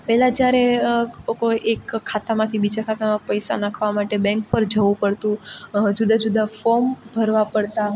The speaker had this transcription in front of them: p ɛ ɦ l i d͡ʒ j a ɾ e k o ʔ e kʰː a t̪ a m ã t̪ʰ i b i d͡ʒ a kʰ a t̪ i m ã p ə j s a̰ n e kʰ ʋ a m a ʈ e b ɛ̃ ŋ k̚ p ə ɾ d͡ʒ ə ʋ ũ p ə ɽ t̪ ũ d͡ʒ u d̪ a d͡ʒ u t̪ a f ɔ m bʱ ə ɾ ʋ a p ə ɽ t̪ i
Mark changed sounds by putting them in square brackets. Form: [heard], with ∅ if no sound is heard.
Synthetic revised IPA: p ɛ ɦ l [a] d͡ʒ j a ɾ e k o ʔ e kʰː a t̪ a m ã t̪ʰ i b i d͡ʒ a kʰ a t̪ [a] m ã p ə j s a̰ n [a] kʰ ʋ a m a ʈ e b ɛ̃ ŋ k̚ p ə ɾ d͡ʒ ə ʋ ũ p ə ɽ t̪ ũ d͡ʒ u d̪ a d͡ʒ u [d̪] a f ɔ m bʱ ə ɾ ʋ a p ə ɽ t̪ [a]

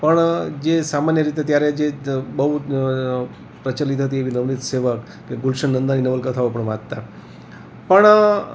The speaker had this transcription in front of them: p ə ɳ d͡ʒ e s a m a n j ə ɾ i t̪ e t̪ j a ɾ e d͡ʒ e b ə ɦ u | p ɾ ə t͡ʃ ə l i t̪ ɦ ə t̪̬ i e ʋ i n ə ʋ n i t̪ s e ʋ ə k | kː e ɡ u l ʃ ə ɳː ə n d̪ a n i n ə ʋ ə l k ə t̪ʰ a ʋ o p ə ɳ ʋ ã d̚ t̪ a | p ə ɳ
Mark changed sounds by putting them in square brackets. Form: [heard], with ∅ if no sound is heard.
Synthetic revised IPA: p ə ɳ d͡ʒ e s a m a n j ə ɾ i t̪ e t̪ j a ɾ e d͡ʒ e b ə ɦ u | p ɾ ə t͡ʃ ə l i t̪ ɦ ə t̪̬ i e ʋ i n ə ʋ n i t̪ s e ʋ ə k | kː e ɡ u l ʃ ə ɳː ə n d̪ a n i n ə ʋ ə l k ə t̪ʰ a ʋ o p ə ɳ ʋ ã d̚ t̪ a | p ə ɳ

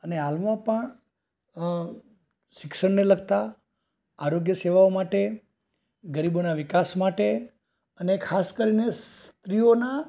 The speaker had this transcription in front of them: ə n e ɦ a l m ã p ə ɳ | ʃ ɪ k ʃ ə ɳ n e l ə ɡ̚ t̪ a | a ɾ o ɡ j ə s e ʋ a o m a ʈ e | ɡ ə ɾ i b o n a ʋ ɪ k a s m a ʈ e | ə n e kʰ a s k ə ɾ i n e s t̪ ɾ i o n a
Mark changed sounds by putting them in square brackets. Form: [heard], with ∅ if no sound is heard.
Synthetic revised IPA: ə n e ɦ a l m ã p ə ɳ | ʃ ɪ k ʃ ə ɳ n e l ə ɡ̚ t̪ a | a ɾ o ɡ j ə s e ʋ a o m a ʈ e | ɡ ə ɾ i b o n a ʋ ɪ k a s m a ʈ e | ə n e kʰ a s k ə ɾ i n e s t̪ ɾ i o n a

